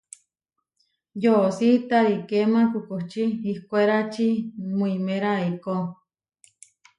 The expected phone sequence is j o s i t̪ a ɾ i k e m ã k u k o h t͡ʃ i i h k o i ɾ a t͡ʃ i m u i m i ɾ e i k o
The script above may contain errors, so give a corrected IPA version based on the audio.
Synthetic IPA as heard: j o s i t̪ a ɾ i k e m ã k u k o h t͡ʃ i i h k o e ɾ a t͡ʃ i m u i m e ɾ a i k o

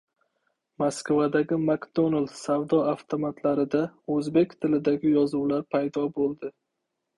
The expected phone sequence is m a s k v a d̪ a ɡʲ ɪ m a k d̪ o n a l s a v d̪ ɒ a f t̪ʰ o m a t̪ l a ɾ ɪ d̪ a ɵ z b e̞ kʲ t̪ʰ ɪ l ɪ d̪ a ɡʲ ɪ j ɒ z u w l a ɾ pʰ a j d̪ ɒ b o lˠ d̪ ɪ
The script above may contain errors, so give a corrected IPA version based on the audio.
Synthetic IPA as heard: m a s k v a d̪ a ɡʲ ɪ m a k d̪ o n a l s a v d̪ ɒ a f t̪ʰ o m a t̪ l a ɾ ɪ d̪ a ɵ z b e̞ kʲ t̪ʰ ɪ l ɪ d̪ a ɡʲ ɪ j ɒ z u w l a ɾ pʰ a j d̪ ɒ b o lˠ d̪ ɪ

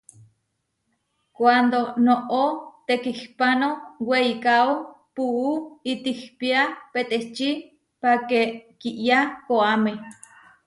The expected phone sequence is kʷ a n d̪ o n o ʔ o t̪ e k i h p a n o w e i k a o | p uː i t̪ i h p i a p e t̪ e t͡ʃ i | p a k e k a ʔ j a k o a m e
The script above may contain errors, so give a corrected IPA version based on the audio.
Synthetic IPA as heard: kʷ a n d̪ o n o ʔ o t̪ e k i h p a n o w e i k a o | p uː i t̪ i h p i a p e t̪ e t͡ʃ i | p a k e k i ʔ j a k o a m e

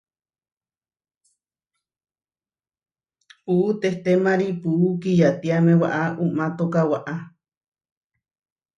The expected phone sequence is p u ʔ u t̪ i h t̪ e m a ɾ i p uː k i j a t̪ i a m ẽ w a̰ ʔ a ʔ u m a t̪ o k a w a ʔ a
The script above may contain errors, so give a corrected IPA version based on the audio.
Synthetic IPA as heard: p u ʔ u t̪ e h t̪ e m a ɾ i p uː k i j a t̪ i a m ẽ w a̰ ʔ a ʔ u m a t̪ o k a w a ʔ a

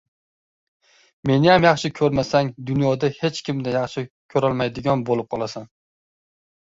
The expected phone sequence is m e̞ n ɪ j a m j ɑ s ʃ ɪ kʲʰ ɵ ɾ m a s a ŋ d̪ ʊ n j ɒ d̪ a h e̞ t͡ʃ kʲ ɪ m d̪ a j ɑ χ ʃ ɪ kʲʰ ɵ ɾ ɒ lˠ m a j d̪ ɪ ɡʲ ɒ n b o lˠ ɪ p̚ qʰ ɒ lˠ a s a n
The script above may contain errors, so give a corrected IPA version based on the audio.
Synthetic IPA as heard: m e̞ n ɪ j a m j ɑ χ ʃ ɪ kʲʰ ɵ ɾ m a s a ŋ d̪ ʊ n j ɒ d̪ a h e̞ t͡ʃ kʲ ɪ m d̪ a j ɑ χ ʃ ɪ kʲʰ ɵ ɾ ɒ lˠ m a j d̪ ɪ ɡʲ ɒ n b o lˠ ɪ p̚ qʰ ɒ lˠ a s a n

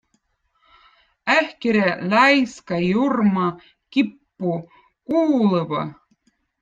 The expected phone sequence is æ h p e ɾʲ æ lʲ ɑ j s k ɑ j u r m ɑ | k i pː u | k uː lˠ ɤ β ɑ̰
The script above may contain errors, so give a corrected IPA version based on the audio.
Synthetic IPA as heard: æ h k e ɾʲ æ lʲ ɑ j s k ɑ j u r m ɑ | k i pː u | k uː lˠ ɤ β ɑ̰

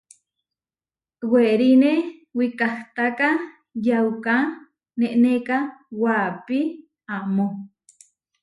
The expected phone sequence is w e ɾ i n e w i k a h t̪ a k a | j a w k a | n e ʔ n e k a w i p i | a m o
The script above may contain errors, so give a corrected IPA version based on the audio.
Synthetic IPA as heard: w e ɾ i n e w i k a h t̪ a k a | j a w k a | n e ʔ n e k a w a p i | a m o

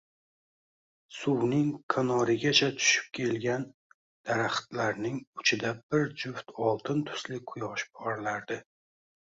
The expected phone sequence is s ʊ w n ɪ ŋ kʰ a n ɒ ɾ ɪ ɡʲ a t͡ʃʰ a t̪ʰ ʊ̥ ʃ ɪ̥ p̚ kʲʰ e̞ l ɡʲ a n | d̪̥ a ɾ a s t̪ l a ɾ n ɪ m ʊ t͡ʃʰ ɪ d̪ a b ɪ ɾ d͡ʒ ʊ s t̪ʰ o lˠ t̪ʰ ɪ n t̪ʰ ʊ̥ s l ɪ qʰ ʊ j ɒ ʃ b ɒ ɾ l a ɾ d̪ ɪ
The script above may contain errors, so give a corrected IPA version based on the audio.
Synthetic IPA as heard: s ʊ w n ɪ ŋ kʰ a n ɒ ɾ ɪ ɡʲ a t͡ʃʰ a t̪ʰ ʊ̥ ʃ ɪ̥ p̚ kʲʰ e̞ l ɡʲ a n | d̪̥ a ɾ a χ t̪ l a ɾ n ɪ ŋ ʊ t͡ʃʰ ɪ d̪ a b ɪ ɾ d͡ʒ ʊ f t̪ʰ ɒ lˠ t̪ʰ ɪ n t̪ʰ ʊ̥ s l ɪ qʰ ʊ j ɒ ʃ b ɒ ɾ l a ɾ d̪ ɪ

